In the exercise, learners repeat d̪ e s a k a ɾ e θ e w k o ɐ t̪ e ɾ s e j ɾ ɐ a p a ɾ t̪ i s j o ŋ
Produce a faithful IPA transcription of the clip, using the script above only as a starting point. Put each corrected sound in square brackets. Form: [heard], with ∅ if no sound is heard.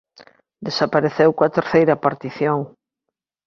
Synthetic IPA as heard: d̪ e s a [p] a ɾ e θ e w k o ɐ t̪ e ɾ [θ] e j ɾ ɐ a p a ɾ t̪ i [θ] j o ŋ